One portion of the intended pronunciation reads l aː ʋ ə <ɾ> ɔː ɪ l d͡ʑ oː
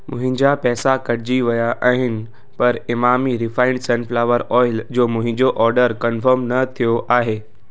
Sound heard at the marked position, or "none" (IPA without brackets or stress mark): ɾ